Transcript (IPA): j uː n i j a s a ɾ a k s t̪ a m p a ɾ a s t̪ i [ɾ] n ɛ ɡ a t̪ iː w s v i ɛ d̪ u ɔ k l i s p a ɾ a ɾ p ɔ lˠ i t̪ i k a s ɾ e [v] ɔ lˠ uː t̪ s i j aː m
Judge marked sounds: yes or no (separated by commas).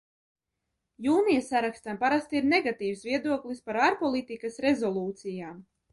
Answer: yes, no